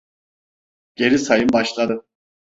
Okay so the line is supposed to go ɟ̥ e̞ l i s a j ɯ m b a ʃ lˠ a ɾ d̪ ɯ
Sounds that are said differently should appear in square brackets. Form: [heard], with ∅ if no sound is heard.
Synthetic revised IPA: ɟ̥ e̞ [ɾ] i s a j ɯ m b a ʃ lˠ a [∅] d̪ ɯ